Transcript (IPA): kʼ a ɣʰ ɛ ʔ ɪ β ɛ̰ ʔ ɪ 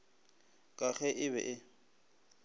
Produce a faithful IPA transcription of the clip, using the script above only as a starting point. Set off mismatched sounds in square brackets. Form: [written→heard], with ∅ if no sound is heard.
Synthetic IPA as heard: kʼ a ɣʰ ɛ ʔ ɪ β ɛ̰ ʔ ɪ